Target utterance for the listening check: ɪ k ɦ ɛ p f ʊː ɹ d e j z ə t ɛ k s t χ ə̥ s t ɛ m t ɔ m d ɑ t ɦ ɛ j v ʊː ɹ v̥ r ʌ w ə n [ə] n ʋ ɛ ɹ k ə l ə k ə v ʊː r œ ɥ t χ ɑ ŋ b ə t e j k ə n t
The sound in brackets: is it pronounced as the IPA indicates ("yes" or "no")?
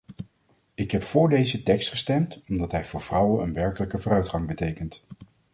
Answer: yes